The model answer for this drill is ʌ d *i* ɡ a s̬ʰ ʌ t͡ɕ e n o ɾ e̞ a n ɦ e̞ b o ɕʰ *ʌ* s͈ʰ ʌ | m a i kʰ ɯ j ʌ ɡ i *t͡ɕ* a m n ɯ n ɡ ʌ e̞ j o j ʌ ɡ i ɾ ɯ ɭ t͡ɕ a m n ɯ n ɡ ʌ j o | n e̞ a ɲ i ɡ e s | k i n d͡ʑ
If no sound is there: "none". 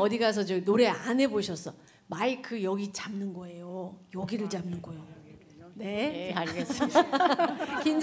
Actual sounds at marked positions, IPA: i, ʌ, t͡ɕ

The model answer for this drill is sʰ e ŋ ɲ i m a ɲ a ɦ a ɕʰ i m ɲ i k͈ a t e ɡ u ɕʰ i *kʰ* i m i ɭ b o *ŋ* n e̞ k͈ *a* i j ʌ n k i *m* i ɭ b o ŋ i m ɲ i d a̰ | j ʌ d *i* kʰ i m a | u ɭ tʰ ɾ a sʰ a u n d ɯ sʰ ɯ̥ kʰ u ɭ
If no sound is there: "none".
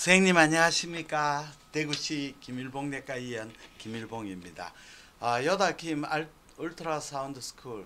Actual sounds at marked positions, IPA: k, ŋ, a, m, a

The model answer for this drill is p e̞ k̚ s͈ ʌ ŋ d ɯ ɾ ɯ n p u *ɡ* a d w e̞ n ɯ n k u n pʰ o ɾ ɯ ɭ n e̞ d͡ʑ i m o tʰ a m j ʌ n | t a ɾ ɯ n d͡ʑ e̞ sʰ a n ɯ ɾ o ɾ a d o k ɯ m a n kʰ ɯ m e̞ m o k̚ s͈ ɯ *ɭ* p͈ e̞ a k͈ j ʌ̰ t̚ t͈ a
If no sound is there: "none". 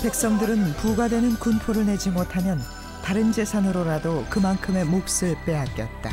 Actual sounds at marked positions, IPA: ɡ, ɭ

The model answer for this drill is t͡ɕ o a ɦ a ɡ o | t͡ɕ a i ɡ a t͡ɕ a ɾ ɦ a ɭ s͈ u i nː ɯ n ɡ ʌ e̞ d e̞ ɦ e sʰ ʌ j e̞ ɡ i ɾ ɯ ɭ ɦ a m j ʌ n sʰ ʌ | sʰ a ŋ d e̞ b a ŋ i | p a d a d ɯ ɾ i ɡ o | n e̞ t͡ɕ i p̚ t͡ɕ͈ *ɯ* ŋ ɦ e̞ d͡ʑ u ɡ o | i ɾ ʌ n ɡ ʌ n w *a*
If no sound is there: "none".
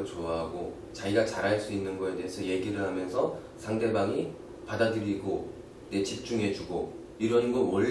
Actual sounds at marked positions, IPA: u, ʌ

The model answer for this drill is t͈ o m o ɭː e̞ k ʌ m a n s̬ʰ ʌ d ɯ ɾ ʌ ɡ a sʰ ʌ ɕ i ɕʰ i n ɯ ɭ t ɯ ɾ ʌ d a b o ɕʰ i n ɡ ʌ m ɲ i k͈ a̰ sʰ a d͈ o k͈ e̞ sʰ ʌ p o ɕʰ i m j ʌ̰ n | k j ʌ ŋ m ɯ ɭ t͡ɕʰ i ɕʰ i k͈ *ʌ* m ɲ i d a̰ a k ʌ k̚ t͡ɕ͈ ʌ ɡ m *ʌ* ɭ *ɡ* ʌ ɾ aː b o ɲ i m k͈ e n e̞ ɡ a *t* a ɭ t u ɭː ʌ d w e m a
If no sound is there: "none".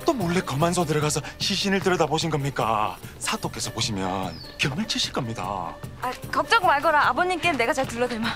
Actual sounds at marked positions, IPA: ʌ, a, ɡ, t͡ɕ

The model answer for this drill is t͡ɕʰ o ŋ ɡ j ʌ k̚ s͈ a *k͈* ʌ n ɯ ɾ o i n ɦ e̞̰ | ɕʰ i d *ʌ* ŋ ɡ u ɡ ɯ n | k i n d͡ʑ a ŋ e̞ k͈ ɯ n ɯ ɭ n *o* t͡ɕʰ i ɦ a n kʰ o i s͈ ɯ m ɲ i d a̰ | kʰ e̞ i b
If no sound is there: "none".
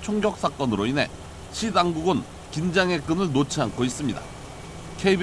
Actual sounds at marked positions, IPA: k͈, a, o

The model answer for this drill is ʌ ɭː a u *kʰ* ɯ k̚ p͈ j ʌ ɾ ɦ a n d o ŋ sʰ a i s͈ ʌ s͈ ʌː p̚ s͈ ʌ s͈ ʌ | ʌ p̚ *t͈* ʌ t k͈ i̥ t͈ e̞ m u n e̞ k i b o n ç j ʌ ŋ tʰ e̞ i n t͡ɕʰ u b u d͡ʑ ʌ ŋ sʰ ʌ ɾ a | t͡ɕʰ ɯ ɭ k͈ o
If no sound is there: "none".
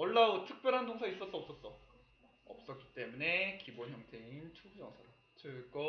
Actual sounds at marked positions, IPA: tʰ, s͈

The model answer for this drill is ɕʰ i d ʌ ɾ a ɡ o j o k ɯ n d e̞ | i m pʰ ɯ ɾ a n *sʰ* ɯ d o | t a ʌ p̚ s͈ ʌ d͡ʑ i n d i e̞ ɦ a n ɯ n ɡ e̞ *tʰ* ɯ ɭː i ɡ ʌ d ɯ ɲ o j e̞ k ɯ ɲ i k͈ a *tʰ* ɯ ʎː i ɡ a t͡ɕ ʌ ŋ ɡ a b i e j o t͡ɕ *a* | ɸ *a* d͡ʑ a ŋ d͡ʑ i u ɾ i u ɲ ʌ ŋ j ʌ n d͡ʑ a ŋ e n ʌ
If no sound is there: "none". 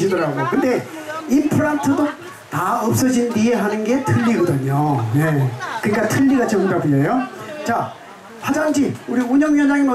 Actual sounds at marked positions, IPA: tʰ, tʰ, tʰ, a, a

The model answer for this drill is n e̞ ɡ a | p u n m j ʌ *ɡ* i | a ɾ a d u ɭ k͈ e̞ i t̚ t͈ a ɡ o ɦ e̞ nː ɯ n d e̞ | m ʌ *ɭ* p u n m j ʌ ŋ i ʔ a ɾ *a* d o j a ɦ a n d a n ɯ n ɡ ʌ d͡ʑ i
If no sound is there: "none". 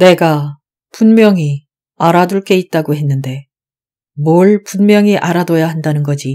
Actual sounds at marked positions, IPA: ŋ, ɭ, a

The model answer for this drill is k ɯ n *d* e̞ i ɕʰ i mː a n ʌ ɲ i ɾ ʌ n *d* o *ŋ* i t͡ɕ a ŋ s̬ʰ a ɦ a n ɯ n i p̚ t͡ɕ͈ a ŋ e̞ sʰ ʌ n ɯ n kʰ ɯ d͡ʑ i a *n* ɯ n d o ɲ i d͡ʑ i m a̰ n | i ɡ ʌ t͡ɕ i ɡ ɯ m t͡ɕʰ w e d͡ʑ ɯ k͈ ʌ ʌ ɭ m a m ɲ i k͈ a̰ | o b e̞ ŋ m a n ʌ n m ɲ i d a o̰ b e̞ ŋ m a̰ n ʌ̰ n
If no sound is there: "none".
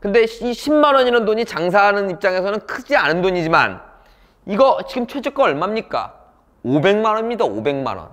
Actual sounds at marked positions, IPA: d, d, ɲ, n

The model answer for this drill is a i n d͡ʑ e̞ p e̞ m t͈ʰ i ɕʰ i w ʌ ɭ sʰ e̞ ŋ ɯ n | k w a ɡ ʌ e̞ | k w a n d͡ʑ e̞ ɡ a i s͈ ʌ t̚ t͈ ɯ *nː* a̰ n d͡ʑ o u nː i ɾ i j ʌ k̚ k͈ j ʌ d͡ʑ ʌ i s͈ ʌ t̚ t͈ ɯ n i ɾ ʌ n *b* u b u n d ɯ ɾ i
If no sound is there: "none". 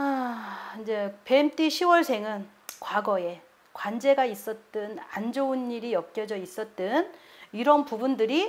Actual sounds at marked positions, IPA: n, p

